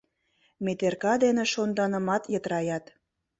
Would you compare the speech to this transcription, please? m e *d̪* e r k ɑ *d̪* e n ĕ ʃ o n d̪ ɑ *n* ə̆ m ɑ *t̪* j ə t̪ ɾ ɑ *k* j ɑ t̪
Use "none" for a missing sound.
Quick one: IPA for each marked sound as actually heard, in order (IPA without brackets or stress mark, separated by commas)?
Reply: t̪, d̪, n, t̪, none